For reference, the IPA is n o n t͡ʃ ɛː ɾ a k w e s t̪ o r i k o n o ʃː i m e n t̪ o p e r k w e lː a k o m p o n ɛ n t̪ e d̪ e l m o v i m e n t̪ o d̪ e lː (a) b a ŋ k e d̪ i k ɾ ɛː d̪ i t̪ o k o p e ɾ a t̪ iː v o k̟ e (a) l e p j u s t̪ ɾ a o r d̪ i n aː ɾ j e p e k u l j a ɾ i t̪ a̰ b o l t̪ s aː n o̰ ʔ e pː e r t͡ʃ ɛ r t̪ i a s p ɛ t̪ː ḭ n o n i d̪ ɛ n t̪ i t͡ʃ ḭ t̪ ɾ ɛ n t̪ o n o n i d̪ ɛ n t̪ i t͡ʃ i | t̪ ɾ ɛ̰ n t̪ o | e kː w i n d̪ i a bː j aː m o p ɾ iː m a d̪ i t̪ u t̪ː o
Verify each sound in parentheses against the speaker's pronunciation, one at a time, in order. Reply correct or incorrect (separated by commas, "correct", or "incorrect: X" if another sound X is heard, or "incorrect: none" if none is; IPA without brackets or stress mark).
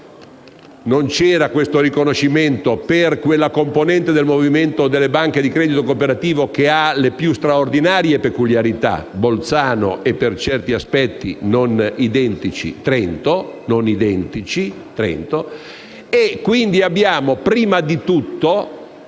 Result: incorrect: e, correct